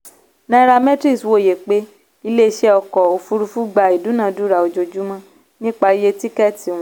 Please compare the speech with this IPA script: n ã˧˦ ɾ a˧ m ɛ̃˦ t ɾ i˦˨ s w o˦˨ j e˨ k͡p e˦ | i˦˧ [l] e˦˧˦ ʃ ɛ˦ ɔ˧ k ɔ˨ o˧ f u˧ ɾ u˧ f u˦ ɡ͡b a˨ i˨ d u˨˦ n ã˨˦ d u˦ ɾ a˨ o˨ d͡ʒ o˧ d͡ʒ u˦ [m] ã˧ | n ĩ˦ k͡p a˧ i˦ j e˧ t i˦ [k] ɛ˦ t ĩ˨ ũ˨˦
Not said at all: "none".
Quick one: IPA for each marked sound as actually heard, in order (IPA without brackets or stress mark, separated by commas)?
l, m, k